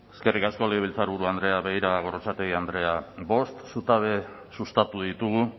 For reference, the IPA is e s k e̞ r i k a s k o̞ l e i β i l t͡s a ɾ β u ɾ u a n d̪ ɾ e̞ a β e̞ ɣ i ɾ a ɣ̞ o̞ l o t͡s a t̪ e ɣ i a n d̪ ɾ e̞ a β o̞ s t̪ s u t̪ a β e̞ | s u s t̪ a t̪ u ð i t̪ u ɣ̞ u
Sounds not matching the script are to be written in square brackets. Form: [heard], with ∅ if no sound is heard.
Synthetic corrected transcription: e s k e̞ r i k a s k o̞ l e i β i l t͡s a ɾ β u ɾ u a n d̪ ɾ e̞ a β e̞ ɣ i ɾ a ɣ̞ o̞ [ɾ] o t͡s a t̪ e ɣ i a n d̪ ɾ e̞ a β o̞ s t̪ s u t̪ a β e̞ | s u s t̪ a t̪ u ð i t̪ u ɣ̞ u